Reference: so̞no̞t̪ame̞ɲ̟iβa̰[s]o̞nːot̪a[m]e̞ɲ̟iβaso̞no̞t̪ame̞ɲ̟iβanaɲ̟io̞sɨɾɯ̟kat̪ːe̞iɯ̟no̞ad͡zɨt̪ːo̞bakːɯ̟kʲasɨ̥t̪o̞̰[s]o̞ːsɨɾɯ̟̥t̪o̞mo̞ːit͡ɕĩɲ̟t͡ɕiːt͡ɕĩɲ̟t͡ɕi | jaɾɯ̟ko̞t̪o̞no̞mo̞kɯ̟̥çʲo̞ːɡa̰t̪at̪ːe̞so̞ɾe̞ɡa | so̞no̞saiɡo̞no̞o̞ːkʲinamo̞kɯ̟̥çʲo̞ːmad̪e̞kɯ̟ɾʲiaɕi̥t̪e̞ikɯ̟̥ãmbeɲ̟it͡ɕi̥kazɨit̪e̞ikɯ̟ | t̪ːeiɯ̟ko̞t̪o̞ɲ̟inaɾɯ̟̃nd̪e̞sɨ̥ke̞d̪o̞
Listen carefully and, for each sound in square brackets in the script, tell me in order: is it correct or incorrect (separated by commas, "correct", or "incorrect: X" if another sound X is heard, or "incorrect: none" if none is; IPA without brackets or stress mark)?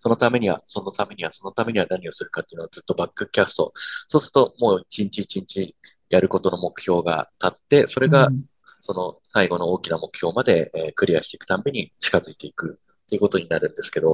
correct, correct, correct